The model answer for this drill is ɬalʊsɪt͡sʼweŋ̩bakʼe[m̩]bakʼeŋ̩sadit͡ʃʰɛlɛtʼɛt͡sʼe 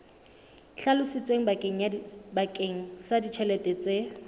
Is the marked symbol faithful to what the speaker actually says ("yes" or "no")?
no